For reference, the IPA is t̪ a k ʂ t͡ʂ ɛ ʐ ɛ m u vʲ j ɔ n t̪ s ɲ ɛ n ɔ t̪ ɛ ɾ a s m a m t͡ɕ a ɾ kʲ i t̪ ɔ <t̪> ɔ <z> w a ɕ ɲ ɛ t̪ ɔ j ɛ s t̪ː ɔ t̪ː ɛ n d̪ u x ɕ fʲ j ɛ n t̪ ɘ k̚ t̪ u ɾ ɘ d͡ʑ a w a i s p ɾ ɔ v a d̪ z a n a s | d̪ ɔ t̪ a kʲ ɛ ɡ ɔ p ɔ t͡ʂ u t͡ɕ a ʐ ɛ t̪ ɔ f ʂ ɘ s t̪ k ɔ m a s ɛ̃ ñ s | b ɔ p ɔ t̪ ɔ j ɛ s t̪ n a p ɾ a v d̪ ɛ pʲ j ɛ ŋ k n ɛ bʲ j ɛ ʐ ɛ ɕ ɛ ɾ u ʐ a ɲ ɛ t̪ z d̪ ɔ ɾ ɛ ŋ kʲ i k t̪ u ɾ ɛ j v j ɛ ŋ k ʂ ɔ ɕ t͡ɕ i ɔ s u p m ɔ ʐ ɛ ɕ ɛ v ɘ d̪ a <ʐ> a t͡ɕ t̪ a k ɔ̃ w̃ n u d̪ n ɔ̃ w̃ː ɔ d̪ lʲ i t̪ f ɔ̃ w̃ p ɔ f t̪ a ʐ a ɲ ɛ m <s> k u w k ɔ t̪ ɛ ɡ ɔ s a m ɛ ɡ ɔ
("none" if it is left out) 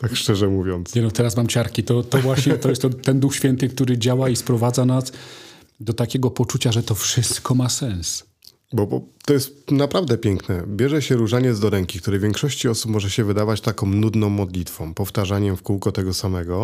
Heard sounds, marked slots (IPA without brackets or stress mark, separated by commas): t̪, v, v, f